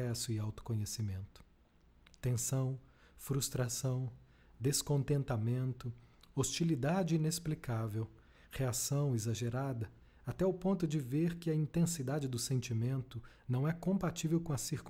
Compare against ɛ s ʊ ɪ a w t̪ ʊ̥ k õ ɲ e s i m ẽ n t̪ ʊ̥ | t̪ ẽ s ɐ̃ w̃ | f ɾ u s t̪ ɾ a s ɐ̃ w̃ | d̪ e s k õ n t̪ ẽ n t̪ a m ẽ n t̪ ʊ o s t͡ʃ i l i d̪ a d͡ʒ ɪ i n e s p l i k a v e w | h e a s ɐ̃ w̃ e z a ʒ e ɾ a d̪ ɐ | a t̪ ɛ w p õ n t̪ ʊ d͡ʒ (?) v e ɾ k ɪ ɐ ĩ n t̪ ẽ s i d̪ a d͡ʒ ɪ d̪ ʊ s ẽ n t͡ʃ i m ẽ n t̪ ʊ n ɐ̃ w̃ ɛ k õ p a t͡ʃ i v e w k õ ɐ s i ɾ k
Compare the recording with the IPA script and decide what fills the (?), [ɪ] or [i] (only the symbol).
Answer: ɪ